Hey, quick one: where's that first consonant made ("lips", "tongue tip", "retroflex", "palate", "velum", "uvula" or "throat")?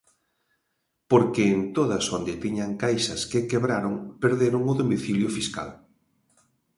lips